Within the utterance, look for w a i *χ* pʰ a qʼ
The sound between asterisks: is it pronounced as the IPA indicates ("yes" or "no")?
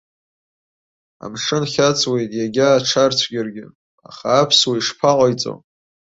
no